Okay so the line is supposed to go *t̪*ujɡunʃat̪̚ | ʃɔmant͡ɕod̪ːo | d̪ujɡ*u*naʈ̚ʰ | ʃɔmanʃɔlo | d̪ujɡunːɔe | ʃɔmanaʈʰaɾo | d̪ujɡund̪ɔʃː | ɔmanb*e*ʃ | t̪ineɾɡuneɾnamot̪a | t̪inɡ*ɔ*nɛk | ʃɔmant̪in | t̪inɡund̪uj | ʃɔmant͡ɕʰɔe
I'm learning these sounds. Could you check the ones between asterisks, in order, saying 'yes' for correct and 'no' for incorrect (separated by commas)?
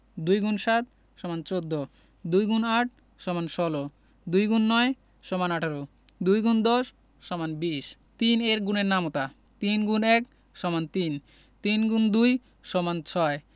no, yes, no, no